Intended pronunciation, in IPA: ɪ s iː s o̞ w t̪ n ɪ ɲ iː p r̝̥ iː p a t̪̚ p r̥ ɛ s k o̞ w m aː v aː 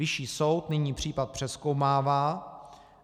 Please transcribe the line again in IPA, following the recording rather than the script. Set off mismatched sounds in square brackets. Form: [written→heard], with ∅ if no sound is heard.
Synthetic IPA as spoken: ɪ [s→ʃ] iː s o̞ w t̪ n ɪ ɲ iː p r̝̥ iː p a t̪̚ p r̥ ɛ s k o̞ w m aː v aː

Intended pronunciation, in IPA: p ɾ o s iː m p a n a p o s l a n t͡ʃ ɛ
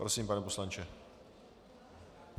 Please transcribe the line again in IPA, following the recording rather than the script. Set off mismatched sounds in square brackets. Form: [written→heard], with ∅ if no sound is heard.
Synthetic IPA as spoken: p ɾ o s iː m p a n [a→ɛ] p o s l a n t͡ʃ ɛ

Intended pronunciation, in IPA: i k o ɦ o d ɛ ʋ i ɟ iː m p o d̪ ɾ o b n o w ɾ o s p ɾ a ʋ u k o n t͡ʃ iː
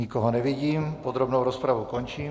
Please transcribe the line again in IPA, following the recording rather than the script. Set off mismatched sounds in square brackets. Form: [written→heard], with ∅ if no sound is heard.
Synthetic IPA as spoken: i k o ɦ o [d→n] ɛ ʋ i ɟ iː m p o d̪ ɾ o b n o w ɾ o s p ɾ a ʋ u k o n t͡ʃ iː

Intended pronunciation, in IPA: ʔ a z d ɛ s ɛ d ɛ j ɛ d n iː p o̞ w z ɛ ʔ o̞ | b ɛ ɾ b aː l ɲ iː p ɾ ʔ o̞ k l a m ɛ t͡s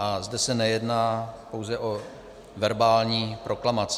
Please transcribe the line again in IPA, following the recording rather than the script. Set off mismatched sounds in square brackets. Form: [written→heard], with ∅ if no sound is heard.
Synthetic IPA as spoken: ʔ a z d ɛ s ɛ [d→n] ɛ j ɛ d n [iː→aː] p o̞ w z ɛ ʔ o̞ | [b→v] ɛ ɾ b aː l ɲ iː p ɾ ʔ o̞ k l a m [ɛ→a] t͡s

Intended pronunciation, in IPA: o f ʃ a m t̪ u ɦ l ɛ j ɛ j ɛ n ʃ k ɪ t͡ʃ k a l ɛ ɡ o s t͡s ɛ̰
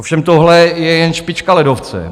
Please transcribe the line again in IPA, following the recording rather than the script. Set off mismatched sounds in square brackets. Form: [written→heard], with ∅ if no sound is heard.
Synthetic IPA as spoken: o f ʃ [a→ɛ] m t̪ [u→o] ɦ l ɛ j ɛ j ɛ n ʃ [k→p] ɪ t͡ʃ k a l ɛ [ɡ→d] o [s→f] t͡s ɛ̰

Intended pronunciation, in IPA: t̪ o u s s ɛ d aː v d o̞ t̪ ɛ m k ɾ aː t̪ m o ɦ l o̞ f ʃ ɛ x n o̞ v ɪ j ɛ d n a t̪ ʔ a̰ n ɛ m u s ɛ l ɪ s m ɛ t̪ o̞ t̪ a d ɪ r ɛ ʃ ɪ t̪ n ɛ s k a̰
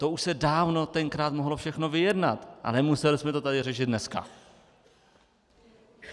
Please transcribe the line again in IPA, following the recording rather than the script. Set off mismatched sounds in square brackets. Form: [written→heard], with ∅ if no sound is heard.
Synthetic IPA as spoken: t̪ o u [s→ʃ] s ɛ d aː v [d→n] o̞ t̪ ɛ [m→ŋ] k ɾ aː t̪ m o ɦ l o̞ f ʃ ɛ x n o̞ v ɪ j ɛ d n a t̪ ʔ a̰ n ɛ m u s ɛ l ɪ s m ɛ t̪ o̞ t̪ a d ɪ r ɛ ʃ ɪ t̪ n ɛ s k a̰

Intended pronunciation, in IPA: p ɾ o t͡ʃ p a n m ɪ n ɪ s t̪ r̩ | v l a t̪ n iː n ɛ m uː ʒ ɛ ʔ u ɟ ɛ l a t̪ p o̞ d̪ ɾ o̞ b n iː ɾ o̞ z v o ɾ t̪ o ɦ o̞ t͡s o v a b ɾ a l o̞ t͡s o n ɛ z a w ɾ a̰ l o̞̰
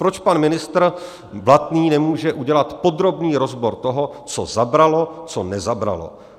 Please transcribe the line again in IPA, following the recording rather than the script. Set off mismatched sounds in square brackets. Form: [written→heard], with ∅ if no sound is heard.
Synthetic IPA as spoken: p ɾ o t͡ʃ p a n m ɪ n ɪ s t̪ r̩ | v l a t̪ n iː n ɛ m uː ʒ ɛ ʔ u ɟ ɛ l a t̪ p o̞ d̪ ɾ o̞ b n iː ɾ o̞ z [v→b] o ɾ t̪ o ɦ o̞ t͡s o [v→z] a b ɾ a l o̞ t͡s o n ɛ z a [w→b] ɾ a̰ l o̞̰

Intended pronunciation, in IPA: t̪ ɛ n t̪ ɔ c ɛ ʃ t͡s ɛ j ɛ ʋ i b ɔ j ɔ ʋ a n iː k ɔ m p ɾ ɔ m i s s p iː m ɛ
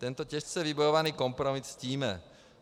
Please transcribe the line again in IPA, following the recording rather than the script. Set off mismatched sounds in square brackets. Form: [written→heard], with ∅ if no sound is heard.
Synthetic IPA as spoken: t̪ ɛ n t̪ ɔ c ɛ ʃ t͡s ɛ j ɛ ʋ i b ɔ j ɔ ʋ a n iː k ɔ m p ɾ ɔ m i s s [p→c] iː m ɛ

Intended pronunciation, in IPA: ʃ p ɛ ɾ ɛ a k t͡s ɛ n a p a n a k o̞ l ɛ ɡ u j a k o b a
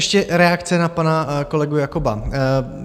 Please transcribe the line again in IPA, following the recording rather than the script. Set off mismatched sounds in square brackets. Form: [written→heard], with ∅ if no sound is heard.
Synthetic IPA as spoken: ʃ [p→c] ɛ ɾ ɛ a k t͡s ɛ n a p a n a k o̞ l ɛ ɡ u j a k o b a

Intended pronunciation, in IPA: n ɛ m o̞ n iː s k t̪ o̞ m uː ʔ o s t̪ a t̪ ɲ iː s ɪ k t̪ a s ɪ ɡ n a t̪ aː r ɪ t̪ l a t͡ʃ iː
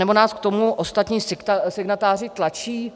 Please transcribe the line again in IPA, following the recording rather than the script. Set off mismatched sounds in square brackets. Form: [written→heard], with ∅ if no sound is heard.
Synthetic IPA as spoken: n ɛ [m→b] o̞ n [iː→aː] s k t̪ o̞ m [uː→u] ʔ o s t̪ a t̪ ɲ iː s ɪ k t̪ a s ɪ ɡ n a t̪ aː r ɪ t̪ l a t͡ʃ iː

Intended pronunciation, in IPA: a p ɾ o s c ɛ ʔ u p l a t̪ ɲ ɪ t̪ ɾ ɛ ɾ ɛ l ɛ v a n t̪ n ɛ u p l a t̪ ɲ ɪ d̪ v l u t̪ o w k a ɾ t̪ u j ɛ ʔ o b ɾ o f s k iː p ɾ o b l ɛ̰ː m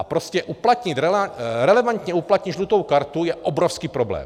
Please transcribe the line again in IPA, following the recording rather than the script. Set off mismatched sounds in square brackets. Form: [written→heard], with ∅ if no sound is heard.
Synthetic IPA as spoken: a p ɾ o s c ɛ ʔ u p l a t̪ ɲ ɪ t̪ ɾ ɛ ɾ ɛ l ɛ v a n t̪ [n→ɲ] ɛ u p l a t̪ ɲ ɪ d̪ [v→ʒ] l u t̪ o w k a ɾ t̪ u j ɛ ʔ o b ɾ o f s k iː p ɾ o b l ɛ̰ː m

